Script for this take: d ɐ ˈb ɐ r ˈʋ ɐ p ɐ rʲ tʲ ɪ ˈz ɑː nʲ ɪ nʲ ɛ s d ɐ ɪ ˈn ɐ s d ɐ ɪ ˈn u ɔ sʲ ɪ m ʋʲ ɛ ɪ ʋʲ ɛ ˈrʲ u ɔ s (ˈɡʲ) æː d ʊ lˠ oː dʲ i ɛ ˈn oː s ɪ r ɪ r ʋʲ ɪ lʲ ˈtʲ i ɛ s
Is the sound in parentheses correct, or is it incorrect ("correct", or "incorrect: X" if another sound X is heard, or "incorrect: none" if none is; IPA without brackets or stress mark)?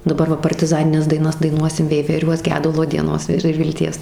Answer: correct